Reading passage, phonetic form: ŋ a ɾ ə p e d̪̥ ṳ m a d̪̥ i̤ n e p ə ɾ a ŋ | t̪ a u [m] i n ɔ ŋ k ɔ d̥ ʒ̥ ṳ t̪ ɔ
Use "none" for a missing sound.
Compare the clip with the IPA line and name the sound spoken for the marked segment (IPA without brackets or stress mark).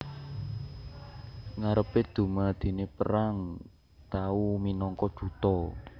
m